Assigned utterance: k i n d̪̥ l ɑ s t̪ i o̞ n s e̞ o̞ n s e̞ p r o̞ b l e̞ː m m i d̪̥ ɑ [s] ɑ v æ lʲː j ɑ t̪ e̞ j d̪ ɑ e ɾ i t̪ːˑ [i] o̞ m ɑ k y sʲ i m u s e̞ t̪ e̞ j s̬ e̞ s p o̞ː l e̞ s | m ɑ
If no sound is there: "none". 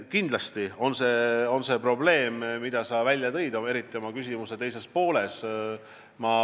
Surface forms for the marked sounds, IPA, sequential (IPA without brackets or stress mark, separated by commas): s, i